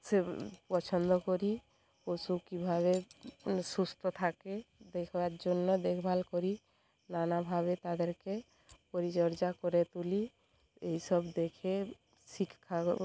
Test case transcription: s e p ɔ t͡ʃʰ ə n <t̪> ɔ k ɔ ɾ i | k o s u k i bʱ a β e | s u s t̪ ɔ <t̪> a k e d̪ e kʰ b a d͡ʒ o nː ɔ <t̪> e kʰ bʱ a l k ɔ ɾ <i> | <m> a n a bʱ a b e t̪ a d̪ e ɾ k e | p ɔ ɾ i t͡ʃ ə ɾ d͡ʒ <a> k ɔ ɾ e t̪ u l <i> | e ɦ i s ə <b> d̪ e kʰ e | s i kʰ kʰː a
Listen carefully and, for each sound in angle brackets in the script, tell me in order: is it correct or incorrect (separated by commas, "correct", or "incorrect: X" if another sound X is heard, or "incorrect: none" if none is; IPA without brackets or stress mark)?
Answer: incorrect: d̪, incorrect: t̪ʰ, incorrect: d̪, correct, incorrect: n, correct, correct, correct